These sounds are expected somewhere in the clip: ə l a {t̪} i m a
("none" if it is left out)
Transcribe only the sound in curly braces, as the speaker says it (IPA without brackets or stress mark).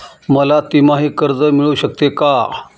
t̪